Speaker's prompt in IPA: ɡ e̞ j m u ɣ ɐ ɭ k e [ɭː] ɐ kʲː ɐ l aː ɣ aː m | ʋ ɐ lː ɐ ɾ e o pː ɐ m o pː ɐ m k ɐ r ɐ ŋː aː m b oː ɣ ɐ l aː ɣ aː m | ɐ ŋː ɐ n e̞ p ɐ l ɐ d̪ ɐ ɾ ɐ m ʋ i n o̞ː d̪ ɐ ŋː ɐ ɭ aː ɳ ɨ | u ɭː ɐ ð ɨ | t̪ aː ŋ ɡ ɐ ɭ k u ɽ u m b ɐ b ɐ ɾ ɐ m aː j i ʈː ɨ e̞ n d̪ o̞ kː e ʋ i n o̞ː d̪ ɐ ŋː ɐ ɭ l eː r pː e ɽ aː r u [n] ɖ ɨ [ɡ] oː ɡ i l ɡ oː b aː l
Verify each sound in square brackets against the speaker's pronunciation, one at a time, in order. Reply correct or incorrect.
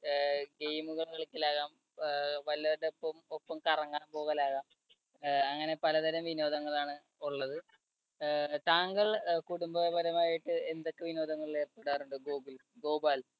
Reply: incorrect, incorrect, correct

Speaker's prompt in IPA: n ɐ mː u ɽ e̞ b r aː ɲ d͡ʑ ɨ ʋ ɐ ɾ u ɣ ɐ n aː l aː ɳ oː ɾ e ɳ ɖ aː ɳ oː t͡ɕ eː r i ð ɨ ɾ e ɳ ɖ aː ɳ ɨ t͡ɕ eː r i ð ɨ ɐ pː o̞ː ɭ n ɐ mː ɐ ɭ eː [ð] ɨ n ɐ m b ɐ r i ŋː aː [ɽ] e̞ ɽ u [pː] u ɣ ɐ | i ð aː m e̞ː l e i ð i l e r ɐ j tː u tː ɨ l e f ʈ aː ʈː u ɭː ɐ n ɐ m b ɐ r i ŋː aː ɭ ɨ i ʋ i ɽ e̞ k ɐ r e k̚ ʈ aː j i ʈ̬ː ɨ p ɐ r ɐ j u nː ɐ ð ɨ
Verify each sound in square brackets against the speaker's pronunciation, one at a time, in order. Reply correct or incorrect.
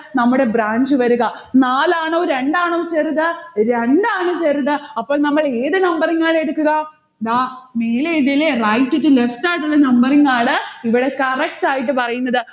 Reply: correct, incorrect, incorrect

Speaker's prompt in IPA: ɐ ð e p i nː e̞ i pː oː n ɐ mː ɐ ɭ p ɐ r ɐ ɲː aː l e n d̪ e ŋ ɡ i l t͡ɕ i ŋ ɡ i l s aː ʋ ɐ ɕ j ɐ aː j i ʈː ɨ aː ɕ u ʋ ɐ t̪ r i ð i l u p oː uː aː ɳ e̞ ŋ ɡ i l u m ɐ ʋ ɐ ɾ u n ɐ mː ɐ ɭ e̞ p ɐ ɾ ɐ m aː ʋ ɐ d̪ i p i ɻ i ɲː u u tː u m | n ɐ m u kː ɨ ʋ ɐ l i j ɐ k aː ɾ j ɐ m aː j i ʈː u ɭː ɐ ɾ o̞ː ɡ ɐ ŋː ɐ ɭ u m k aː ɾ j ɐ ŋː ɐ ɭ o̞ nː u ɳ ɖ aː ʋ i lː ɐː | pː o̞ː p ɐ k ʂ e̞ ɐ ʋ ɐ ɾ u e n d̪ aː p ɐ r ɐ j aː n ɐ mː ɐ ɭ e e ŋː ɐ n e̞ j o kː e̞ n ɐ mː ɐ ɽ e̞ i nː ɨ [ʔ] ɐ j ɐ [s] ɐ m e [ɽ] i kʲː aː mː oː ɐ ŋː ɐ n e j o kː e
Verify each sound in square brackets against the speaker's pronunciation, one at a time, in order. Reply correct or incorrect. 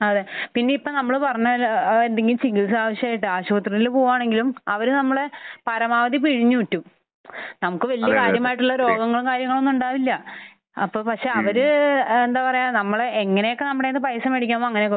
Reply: incorrect, correct, correct

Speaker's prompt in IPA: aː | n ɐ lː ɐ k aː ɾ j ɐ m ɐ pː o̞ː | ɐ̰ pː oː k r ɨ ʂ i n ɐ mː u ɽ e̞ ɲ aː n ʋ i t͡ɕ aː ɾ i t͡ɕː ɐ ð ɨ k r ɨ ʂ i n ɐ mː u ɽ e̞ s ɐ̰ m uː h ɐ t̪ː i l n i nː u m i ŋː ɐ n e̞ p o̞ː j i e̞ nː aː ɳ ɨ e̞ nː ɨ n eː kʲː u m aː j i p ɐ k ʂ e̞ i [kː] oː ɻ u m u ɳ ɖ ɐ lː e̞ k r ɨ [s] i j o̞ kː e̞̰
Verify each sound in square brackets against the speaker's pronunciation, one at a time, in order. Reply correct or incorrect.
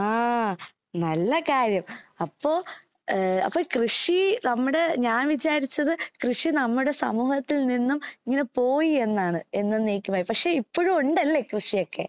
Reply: incorrect, incorrect

